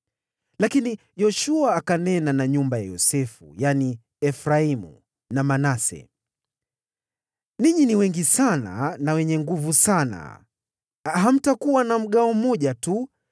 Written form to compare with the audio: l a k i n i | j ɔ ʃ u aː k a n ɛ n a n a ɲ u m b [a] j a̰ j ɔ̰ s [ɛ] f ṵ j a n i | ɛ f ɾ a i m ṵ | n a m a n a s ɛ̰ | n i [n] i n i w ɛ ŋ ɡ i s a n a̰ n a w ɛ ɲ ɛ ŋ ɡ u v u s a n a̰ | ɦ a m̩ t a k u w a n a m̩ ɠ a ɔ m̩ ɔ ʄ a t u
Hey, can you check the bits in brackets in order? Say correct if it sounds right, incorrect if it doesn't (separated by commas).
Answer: correct, correct, incorrect